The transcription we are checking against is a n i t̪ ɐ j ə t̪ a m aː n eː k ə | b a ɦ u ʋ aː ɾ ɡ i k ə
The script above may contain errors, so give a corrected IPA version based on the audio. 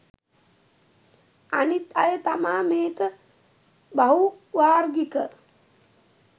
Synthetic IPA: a n i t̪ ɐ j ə t̪ a m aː m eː k ə | b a ɦ u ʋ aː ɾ ɡ i k ə